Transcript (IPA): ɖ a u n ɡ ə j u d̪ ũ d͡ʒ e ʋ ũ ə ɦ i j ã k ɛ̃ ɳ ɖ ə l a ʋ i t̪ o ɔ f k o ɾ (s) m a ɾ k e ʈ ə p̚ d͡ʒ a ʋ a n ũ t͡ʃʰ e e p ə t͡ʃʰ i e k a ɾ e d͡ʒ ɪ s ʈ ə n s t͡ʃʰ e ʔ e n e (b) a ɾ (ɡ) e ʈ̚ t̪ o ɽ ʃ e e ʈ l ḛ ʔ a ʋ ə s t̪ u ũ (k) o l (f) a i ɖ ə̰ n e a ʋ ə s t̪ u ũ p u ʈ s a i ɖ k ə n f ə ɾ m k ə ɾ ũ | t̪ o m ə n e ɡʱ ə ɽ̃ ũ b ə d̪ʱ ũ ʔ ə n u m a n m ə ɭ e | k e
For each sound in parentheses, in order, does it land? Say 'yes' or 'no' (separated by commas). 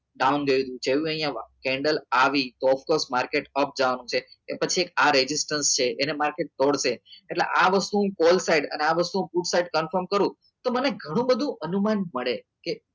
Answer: yes, no, no, yes, no